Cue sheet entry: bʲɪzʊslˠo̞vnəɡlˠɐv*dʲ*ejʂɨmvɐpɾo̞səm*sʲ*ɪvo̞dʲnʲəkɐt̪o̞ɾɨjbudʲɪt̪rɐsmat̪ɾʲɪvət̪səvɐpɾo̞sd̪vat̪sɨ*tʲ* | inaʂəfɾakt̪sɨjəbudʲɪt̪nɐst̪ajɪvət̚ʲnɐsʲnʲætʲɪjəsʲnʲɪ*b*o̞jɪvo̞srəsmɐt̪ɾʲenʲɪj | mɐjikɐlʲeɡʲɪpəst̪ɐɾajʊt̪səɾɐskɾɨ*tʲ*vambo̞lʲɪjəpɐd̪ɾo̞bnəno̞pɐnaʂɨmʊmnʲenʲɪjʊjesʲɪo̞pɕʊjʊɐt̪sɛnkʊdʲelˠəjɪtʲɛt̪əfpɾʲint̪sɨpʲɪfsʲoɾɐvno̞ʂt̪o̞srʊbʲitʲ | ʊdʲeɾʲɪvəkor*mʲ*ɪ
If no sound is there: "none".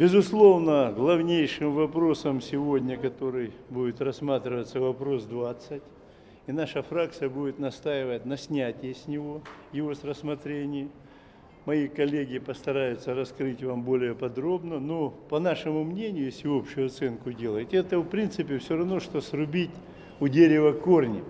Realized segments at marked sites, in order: nʲ, sʲ, tʲ, v, tʲ, nʲ

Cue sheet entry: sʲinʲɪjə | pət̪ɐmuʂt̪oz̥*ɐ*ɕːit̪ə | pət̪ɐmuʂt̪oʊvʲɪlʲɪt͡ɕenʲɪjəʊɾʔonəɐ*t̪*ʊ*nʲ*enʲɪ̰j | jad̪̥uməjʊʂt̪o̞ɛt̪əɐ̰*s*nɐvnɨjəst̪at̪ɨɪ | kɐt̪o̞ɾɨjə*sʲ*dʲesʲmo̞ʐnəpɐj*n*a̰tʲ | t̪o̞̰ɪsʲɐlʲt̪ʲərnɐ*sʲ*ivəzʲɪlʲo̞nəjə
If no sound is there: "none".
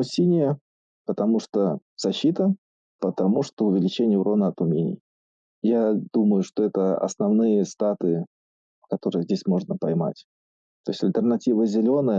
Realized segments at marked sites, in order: ɐ, t̪, mʲ, s, zʲ, m, tʲ

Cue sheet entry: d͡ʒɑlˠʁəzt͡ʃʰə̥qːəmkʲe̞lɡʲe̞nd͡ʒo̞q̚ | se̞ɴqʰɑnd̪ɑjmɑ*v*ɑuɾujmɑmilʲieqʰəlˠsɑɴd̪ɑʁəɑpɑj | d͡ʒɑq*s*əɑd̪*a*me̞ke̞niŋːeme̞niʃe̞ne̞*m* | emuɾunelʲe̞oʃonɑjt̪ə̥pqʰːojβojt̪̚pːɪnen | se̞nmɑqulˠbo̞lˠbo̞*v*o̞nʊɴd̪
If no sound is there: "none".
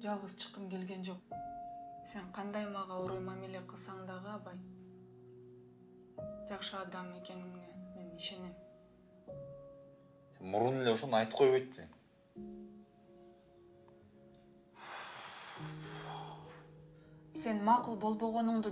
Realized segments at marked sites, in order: ʁ, ʃ, ɑ, m, ʁ

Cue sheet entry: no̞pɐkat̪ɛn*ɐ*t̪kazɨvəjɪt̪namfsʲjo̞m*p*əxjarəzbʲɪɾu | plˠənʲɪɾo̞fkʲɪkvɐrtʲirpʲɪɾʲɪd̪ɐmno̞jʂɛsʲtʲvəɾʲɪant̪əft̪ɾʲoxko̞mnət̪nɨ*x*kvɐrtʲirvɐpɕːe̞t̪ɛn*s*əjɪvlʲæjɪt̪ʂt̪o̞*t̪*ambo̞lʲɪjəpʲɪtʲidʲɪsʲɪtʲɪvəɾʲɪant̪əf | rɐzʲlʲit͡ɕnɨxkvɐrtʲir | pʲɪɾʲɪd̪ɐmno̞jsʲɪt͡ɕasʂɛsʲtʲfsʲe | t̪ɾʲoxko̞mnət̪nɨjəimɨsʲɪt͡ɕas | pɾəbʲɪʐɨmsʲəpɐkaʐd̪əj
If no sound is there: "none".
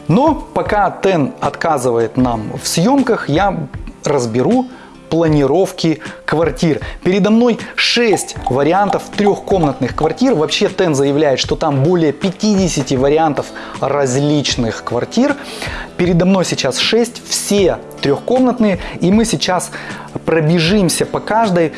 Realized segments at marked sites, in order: ɐ, k, x, z, t̪

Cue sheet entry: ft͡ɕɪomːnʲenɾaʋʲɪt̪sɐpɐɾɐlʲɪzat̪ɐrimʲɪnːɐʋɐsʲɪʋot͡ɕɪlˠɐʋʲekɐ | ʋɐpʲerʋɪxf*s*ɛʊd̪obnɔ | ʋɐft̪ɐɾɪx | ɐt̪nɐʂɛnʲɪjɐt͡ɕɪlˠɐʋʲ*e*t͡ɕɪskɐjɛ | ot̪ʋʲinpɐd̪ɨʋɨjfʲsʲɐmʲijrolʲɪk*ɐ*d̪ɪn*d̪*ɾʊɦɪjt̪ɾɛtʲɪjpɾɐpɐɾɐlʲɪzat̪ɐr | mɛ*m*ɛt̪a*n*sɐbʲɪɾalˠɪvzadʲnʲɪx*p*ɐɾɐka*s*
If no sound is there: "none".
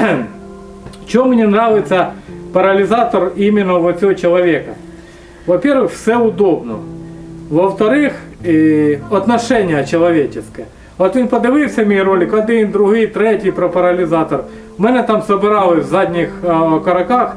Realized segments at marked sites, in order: s, e, ɐ, d̪, n, m, k, x

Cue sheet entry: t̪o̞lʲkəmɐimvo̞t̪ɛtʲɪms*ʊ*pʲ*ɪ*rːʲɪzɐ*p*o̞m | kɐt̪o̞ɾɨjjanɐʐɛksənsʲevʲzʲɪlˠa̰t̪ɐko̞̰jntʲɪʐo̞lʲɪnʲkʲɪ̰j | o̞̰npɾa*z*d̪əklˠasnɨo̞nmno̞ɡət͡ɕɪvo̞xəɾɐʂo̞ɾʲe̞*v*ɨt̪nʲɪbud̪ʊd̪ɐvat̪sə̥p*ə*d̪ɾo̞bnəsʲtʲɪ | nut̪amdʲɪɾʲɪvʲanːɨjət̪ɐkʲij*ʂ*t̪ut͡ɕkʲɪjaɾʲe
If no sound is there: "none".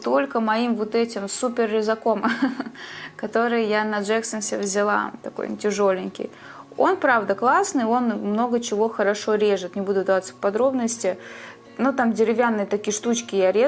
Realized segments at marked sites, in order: u, ɪ, k, v, ʐ, ɐ, ʂ

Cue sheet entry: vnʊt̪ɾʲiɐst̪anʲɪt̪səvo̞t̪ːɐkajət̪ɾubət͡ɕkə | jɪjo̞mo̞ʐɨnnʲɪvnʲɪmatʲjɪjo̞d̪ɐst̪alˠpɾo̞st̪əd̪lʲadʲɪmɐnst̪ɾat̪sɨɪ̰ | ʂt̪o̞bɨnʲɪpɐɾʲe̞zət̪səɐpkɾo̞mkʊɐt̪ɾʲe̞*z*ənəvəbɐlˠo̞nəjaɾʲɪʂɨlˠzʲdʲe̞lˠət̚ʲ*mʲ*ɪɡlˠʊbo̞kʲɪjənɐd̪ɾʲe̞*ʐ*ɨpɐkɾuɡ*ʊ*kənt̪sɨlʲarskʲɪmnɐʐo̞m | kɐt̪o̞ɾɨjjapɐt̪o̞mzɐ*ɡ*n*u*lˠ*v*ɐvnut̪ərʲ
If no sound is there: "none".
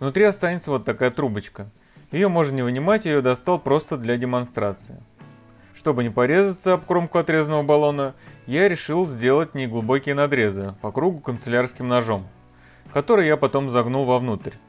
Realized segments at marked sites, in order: z, nʲ, z, ʊ, ɡ, u, v

